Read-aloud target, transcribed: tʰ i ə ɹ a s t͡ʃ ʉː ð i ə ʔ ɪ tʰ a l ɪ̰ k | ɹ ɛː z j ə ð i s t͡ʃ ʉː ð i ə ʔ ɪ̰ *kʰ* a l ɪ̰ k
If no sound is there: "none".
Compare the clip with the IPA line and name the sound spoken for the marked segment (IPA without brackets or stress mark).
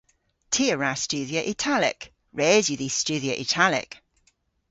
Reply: tʰ